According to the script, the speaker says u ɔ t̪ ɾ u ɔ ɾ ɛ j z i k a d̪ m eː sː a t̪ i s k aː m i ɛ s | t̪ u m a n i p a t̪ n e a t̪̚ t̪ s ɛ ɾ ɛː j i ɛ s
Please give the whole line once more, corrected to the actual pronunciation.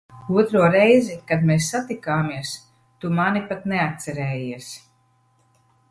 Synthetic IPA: u ɔ t̪ ɾ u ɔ ɾ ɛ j z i k a d̪ m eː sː a t̪ i k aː m i ɛ s | t̪ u m a n i p a t̪ n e a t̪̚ t̪ s ɛ ɾ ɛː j i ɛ s